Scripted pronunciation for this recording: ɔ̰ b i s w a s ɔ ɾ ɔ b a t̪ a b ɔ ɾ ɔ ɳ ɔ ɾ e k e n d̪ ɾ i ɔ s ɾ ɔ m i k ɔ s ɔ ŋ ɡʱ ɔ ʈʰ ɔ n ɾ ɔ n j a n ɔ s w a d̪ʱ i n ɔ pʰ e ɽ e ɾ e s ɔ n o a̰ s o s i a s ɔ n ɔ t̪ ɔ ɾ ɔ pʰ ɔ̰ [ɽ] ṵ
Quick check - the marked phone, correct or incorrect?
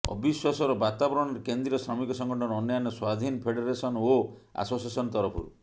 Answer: incorrect